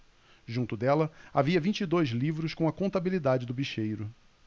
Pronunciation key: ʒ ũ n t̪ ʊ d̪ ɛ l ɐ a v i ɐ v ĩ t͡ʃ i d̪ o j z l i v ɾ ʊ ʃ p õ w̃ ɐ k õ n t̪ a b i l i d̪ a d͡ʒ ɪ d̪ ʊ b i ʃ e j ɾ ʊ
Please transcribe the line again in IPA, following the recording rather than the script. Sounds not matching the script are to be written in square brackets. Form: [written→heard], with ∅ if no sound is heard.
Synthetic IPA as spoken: ʒ ũ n t̪ ʊ d̪ ɛ l ɐ a v i ɐ v ĩ t͡ʃ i d̪ o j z l i v ɾ ʊ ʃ [p→k] õ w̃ ɐ k õ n t̪ a b i l i d̪ a d͡ʒ ɪ d̪ ʊ b i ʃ e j ɾ ʊ